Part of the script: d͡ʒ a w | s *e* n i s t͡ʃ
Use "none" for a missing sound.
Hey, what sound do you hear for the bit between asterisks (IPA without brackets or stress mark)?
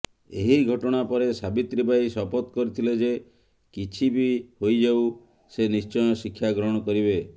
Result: e